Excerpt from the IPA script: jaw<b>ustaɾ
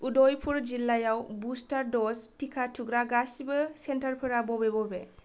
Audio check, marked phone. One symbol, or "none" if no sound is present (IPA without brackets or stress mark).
b